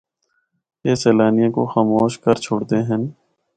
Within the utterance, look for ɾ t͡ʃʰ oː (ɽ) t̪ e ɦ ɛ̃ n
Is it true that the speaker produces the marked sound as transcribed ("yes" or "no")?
yes